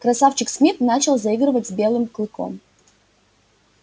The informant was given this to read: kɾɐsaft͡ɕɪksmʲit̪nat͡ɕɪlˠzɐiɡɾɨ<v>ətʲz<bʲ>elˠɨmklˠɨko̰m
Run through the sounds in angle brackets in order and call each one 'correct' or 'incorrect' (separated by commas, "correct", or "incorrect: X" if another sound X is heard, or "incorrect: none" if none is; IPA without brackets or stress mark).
correct, correct